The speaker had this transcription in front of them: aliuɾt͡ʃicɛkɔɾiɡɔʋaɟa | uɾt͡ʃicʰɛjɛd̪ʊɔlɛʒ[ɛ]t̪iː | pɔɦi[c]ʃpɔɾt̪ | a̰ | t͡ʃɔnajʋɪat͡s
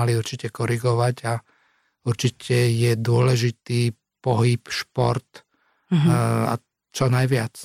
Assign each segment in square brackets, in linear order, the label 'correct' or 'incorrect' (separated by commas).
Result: incorrect, incorrect